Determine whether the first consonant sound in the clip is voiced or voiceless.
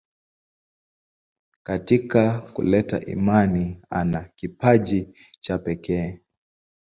voiceless